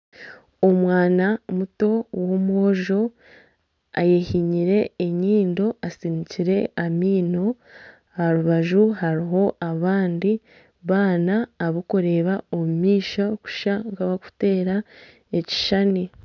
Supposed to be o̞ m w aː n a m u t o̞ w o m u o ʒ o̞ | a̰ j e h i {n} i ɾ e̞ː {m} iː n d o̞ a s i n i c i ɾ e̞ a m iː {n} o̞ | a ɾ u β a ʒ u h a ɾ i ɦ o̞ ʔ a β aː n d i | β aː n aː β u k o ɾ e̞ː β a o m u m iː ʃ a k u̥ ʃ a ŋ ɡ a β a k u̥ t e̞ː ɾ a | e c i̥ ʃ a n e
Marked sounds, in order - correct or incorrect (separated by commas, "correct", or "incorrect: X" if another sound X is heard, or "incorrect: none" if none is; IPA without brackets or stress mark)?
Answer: incorrect: ɲ, incorrect: ɲ, correct